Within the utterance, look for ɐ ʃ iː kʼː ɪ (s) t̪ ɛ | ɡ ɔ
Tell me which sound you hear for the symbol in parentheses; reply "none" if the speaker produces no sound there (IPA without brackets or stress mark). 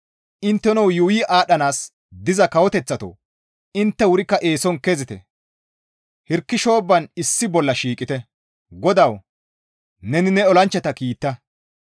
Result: none